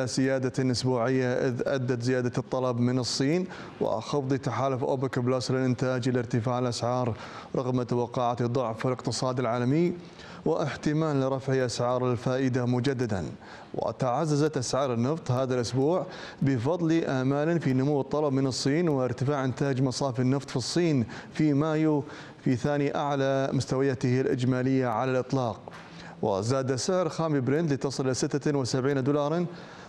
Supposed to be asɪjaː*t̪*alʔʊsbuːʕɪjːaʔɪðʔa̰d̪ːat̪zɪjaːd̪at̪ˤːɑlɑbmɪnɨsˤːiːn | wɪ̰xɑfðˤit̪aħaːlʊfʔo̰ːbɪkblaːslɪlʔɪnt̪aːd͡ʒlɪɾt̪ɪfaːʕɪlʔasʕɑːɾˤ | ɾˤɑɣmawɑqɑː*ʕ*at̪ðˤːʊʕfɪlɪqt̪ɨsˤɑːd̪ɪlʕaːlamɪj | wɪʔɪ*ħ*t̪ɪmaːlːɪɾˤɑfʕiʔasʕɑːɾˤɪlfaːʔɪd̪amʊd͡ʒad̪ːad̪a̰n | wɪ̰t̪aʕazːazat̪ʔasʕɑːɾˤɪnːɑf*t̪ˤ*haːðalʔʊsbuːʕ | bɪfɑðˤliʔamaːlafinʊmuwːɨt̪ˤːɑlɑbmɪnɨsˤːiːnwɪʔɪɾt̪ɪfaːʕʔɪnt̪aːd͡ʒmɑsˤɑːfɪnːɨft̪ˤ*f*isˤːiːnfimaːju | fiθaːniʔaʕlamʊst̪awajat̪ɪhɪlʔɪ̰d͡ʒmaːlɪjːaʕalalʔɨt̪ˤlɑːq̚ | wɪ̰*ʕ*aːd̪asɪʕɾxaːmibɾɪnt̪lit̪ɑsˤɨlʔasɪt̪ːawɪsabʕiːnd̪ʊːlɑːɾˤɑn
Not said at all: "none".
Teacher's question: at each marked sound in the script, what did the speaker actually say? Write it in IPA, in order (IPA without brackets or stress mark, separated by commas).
d̪, ʕ, ħ, t̪ˤ, f, z